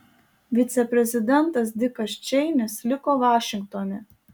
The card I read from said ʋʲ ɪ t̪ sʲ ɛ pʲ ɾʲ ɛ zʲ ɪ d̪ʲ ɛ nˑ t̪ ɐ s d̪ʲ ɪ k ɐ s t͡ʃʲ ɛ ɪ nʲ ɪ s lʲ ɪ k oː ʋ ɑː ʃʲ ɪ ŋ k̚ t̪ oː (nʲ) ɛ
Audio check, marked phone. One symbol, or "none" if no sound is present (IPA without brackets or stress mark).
nʲ